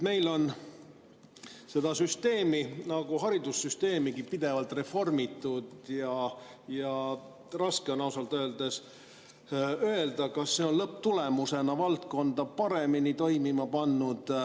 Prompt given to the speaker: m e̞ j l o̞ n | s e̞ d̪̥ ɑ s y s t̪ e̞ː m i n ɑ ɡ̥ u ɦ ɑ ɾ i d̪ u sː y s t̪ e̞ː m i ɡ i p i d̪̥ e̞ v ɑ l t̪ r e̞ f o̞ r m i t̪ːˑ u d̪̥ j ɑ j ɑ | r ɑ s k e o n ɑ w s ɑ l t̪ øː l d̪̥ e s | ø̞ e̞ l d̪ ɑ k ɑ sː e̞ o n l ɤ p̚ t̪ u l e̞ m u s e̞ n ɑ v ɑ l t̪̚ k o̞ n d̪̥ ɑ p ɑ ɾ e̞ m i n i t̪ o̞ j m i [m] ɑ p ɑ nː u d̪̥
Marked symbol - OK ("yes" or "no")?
yes